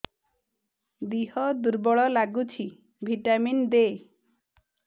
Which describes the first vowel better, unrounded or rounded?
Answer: unrounded